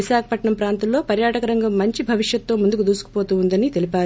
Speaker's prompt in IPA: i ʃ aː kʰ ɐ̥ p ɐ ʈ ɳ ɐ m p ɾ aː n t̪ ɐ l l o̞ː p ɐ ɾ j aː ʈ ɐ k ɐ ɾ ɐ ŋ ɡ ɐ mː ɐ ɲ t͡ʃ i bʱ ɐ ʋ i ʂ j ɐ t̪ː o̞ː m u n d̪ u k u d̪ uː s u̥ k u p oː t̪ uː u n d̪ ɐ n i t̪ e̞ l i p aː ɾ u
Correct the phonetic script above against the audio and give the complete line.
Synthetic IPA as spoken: i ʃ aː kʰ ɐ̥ p ɐ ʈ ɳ ɐ m p ɾ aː n t̪ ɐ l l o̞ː p ɐ ɾ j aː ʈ ɐ k ɐ ɾ ɐ ŋ ɡ ɐ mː ɐ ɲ t͡ʃ i bʱ ɐ ʋ i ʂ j ɐ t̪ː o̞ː m u n d̪ u k u d̪ uː s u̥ k u p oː t̪ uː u n d̪ ɐ n i t̪ e̞ l i p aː ɾ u